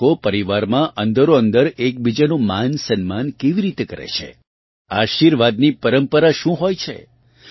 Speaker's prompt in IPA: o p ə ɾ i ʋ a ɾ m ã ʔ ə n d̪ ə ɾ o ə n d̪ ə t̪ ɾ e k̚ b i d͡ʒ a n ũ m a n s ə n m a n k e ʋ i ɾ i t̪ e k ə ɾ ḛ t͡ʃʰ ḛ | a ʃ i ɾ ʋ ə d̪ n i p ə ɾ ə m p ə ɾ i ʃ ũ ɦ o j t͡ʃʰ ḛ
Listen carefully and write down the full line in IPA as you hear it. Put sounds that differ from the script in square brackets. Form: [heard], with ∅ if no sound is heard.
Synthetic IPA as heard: o p ə ɾ i ʋ a ɾ m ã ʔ ə n d̪ ə ɾ o ə n d̪ ə [∅] ɾ e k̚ b i d͡ʒ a n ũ m a n s ə n m a n k e ʋ i ɾ i t̪ e k ə ɾ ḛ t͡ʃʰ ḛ | a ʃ i ɾ ʋ [a] d̪ n i p ə ɾ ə m p ə ɾ [a] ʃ ũ ɦ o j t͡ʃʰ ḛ